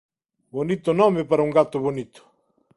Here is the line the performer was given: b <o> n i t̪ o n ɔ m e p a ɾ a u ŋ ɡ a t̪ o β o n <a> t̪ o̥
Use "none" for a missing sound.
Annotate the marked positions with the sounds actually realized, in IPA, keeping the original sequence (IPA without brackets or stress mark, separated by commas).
o, i